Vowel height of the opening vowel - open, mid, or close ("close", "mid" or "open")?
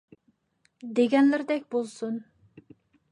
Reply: mid